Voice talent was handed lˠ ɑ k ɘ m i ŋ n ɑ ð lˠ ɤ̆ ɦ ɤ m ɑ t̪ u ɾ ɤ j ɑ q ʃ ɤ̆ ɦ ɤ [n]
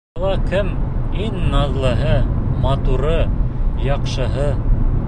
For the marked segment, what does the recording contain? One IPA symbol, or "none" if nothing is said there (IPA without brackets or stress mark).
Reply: none